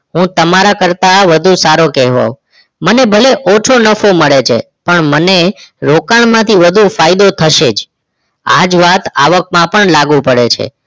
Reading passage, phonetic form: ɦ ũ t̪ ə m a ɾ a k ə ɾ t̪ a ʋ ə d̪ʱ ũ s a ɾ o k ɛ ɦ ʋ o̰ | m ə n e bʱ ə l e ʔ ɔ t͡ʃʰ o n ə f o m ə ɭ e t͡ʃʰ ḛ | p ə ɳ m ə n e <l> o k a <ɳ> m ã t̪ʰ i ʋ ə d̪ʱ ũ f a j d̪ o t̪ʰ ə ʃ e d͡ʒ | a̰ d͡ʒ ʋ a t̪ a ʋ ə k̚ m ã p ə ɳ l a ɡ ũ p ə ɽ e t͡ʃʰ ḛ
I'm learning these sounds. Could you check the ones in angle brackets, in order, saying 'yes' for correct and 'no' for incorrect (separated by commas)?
no, yes